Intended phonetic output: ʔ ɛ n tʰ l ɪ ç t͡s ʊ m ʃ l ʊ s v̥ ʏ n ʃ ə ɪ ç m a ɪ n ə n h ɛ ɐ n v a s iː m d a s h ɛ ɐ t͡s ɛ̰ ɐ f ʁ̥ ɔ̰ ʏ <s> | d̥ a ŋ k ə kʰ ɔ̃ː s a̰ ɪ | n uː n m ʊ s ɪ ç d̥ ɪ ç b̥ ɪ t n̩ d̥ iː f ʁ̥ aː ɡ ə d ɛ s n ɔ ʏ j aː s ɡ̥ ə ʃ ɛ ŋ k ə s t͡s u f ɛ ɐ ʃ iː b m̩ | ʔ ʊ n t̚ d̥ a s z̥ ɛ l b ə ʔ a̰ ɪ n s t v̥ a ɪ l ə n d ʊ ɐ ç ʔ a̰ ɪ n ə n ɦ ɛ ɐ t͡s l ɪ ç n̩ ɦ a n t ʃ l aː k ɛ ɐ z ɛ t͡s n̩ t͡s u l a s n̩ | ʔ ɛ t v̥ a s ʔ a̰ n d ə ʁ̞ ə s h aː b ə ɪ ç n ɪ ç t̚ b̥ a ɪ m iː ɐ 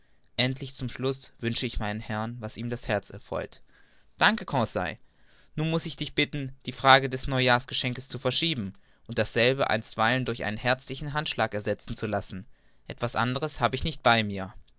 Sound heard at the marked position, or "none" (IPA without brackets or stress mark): t